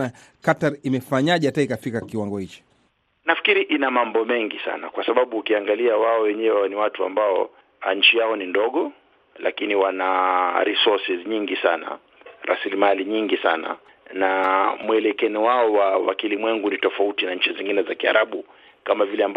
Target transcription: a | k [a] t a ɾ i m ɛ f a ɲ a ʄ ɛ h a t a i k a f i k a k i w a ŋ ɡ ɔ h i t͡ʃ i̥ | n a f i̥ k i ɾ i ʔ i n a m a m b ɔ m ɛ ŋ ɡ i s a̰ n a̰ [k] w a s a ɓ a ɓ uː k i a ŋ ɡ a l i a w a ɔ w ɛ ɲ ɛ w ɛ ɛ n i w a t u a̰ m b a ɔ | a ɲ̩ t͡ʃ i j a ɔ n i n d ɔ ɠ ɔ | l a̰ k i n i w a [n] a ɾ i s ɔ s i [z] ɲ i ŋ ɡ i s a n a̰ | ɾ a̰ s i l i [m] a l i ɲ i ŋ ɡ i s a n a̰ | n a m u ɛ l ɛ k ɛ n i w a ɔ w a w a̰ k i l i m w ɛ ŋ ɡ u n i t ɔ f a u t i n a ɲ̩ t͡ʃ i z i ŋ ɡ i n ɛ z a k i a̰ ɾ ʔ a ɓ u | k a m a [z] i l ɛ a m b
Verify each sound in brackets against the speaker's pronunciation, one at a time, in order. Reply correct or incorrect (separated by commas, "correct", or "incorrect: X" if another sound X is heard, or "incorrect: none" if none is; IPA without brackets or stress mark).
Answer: correct, correct, correct, correct, correct, incorrect: v